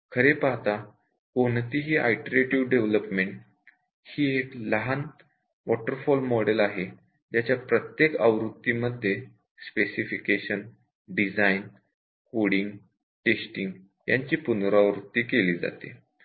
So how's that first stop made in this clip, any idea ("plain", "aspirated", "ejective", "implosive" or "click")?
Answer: aspirated